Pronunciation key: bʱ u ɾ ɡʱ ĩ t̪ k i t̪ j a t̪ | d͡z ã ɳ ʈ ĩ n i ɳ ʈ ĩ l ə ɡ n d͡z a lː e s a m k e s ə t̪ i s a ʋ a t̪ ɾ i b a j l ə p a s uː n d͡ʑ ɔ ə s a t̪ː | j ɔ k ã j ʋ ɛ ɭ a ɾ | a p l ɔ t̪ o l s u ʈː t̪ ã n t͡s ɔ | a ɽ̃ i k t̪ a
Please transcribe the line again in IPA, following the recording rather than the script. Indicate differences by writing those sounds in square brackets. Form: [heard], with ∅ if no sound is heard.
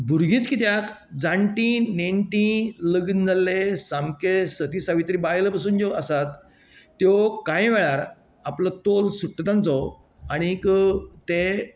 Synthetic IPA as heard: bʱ u ɾ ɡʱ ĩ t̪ k i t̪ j a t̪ | d͡z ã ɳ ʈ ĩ n [e] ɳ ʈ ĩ l ə ɡ n d͡z a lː e s a m k e s ə t̪ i s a ʋ [i] t̪ ɾ i b a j l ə p a s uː n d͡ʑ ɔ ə s a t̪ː | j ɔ k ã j ʋ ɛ ɭ a ɾ | a p l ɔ t̪ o l s u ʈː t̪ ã n t͡s ɔ | a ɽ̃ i k t̪ [e]